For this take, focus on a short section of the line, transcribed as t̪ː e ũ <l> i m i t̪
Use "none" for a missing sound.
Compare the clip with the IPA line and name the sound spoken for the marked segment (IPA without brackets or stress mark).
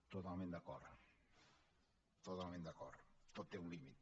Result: l